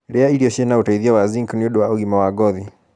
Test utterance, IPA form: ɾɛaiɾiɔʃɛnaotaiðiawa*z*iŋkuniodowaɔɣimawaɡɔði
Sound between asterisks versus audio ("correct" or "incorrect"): correct